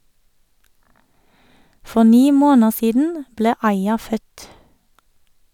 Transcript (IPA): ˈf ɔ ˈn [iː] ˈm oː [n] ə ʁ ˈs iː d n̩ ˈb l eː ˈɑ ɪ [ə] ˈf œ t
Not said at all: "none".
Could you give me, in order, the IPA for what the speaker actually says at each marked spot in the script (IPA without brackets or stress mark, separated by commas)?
iː, n, ɑ